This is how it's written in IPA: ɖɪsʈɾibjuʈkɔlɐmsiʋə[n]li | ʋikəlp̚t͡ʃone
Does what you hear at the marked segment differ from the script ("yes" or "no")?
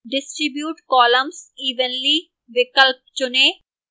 no